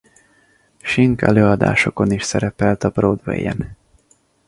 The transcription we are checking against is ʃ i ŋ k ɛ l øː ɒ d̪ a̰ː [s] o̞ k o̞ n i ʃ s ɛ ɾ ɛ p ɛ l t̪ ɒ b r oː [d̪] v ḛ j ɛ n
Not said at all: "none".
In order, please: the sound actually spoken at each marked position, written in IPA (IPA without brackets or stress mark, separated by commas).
ʃ, d̪